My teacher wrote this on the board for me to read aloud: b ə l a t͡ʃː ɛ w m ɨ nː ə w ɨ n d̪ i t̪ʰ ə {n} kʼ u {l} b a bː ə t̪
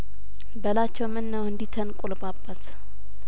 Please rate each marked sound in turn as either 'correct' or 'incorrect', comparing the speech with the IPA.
correct, correct

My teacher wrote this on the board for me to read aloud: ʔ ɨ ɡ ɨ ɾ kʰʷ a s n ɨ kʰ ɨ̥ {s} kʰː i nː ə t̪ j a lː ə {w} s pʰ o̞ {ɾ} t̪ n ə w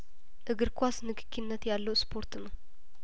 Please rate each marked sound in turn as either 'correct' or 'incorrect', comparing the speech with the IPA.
incorrect: none, correct, correct

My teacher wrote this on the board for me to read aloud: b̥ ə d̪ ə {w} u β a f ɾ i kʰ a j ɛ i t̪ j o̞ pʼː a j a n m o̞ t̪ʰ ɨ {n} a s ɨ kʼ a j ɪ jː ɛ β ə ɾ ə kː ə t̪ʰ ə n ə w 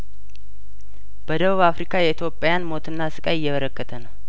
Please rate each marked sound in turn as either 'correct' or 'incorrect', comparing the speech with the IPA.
incorrect: β, incorrect: nː

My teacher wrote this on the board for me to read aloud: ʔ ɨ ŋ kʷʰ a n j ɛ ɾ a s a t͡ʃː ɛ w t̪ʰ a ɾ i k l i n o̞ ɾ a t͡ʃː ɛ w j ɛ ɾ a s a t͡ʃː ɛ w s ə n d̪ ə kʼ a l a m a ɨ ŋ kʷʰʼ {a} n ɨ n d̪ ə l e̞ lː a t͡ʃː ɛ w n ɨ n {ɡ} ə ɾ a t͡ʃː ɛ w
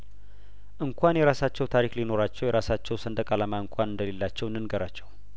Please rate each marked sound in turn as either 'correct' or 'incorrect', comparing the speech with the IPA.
correct, correct

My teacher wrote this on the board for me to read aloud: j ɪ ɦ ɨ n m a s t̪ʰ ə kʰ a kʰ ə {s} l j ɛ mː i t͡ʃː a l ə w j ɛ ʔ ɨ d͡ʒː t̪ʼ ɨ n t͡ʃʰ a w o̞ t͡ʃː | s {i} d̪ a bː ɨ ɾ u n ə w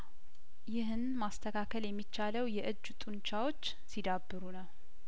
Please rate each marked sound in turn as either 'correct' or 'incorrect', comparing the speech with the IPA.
incorrect: none, correct

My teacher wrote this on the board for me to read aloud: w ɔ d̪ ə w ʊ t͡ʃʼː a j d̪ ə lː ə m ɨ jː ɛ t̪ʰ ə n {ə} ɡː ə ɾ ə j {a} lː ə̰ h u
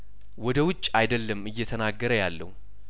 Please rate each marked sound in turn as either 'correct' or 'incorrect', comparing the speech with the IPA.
incorrect: a, correct

